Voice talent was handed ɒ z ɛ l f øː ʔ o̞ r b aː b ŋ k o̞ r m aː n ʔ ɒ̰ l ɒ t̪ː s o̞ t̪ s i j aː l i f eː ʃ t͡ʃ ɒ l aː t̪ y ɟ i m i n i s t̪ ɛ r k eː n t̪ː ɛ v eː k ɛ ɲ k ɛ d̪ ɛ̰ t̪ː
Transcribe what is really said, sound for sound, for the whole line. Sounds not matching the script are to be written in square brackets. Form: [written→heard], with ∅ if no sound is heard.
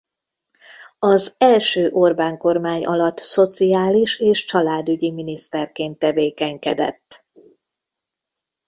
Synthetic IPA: ɒ z ɛ l [f→ʃ] øː ʔ o̞ r b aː [b→∅] ŋ k o̞ r m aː [n→ɲ] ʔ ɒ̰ l ɒ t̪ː s o̞ t̪ s i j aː l i [f→ʃ] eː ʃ t͡ʃ ɒ l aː [t̪→d̪] y ɟ i m i n i s t̪ ɛ r k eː n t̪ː ɛ v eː k ɛ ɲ k ɛ d̪ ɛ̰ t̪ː